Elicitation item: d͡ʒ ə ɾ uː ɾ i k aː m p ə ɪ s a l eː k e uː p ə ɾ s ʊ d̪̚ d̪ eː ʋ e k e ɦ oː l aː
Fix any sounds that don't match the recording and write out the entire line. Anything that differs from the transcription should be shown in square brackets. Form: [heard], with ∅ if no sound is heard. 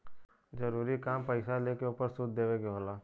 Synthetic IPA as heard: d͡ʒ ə ɾ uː ɾ i k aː m p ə ɪ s a l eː k e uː p ə ɾ s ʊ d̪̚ d̪ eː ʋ e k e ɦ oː l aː